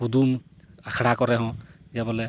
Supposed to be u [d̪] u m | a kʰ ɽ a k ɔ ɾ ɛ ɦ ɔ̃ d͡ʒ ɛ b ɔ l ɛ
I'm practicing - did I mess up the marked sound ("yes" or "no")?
no